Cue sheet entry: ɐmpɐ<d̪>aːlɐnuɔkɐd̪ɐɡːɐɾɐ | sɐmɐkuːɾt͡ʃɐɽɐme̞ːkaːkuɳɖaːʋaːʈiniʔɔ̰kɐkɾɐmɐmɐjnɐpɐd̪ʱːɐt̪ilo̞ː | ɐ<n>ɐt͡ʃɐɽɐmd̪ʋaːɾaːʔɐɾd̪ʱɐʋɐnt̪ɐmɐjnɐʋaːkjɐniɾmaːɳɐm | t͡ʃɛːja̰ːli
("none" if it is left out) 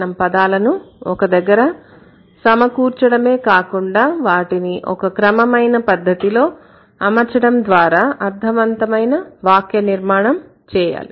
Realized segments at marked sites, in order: d̪, m

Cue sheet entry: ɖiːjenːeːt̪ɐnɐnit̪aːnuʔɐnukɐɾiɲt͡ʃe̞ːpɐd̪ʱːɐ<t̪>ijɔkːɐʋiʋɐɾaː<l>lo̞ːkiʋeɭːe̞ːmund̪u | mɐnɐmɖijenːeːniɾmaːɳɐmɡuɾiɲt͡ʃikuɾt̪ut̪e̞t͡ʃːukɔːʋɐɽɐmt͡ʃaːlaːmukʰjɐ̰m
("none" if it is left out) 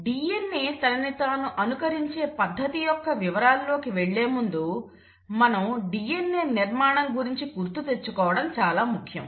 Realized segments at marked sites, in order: t̪, l

